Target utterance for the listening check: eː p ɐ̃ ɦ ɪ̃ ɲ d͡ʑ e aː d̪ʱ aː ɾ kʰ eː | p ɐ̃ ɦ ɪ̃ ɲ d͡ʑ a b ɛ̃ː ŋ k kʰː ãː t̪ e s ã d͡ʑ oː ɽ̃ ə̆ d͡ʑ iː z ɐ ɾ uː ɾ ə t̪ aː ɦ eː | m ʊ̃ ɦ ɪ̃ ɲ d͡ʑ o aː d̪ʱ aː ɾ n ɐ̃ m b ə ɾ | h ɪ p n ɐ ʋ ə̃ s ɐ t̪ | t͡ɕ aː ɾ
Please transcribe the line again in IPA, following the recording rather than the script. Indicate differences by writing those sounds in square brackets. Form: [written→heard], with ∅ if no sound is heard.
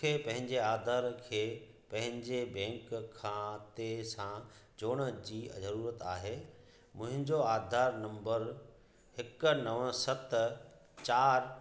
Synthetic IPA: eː p ɐ̃ ɦ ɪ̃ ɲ d͡ʑ e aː d̪ʱ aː ɾ kʰ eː | p ɐ̃ ɦ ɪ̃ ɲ d͡ʑ [a→e] b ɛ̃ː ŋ k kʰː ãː t̪ e s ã d͡ʑ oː ɽ̃ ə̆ d͡ʑ iː z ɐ ɾ uː ɾ ə t̪ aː ɦ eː | m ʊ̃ ɦ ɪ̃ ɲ d͡ʑ o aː d̪ʱ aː ɾ n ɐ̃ m b ə ɾ | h ɪ [p→k] n ɐ ʋ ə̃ s ɐ t̪ | t͡ɕ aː ɾ